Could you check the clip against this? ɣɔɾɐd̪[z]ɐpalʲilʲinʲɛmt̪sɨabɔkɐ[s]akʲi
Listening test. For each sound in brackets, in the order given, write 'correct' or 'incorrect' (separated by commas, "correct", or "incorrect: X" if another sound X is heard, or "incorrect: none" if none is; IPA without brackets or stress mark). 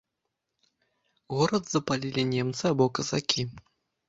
correct, incorrect: z